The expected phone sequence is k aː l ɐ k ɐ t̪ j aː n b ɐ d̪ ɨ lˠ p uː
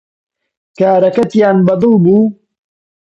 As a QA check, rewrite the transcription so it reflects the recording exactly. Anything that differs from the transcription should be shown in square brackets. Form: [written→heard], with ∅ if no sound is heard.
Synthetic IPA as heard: k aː [l→ɾ] ɐ k ɐ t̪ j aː n b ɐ d̪ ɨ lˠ [p→b] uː